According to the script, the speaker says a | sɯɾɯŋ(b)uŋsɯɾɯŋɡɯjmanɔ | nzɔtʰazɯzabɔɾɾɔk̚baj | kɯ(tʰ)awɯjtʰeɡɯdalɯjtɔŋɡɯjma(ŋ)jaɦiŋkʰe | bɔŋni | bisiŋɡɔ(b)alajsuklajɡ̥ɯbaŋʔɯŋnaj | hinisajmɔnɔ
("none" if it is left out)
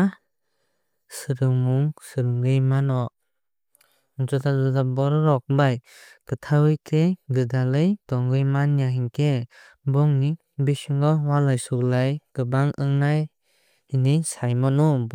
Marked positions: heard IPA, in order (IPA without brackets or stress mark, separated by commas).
m, tʰ, n, w